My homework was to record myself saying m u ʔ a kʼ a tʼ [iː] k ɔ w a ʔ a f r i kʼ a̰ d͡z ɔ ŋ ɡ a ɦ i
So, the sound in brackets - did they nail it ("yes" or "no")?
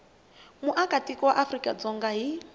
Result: no